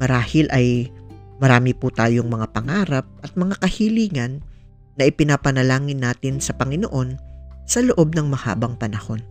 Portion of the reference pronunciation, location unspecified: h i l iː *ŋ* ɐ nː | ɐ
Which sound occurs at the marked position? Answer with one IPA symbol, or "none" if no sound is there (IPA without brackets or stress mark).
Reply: ŋ